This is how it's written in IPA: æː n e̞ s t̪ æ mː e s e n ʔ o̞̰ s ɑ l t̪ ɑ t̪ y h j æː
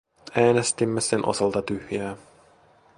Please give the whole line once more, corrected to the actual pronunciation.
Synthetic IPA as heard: æː n e̞ s t̪ i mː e s e n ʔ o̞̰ s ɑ l t̪ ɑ t̪ y h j æː

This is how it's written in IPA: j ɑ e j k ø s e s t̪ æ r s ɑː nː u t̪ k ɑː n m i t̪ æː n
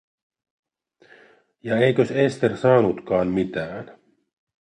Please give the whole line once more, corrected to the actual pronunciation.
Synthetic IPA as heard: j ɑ e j k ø s e s t̪ e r s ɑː n u t̪ k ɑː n m i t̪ æː n

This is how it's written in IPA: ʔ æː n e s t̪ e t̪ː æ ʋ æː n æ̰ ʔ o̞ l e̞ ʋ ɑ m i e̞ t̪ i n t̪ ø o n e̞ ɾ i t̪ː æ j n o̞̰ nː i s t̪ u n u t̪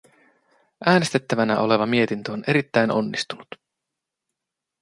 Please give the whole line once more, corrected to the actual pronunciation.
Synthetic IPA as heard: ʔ æː n e s t̪ e t̪ː æ ʋ æ n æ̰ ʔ o̞ l e̞ ʋ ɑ m i e̞ t̪ i n t̪ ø o n e̞ ɾ i t̪ː æ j n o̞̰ nː i s t̪ u n u t̪

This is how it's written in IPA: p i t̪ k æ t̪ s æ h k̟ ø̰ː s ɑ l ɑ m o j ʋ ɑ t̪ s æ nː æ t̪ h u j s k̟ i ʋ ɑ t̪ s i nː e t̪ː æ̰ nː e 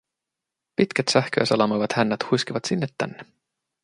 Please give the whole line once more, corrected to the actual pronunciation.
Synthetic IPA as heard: p i t̪ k æ t̪ s æ h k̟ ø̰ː s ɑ l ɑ m o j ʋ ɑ t̪ h æ nː æ t̪ h u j s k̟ i ʋ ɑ t̪ s i nː e t̪ː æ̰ nː e

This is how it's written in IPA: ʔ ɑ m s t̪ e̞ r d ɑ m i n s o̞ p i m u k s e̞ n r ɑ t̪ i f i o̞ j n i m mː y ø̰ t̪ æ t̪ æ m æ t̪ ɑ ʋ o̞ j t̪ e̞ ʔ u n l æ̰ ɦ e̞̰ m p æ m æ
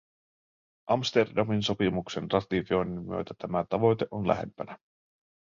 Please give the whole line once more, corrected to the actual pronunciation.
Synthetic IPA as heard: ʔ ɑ m s t̪ e̞ r d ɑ m i n s o̞ p i m u k s e̞ n r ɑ t̪ i f i o̞ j n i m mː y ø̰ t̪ æ t̪ æ m æ t̪ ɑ ʋ o̞ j t̪ e̞ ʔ o n l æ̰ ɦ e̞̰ m p æ n æ

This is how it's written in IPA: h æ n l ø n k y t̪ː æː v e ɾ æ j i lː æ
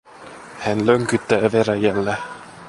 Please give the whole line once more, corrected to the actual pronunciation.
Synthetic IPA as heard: h æ n l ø ŋ k y t̪ː æː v e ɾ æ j æ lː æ

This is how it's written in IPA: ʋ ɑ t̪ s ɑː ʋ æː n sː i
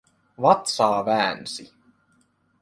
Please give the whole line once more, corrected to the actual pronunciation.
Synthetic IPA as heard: ʋ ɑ t̪ s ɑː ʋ æː n s i

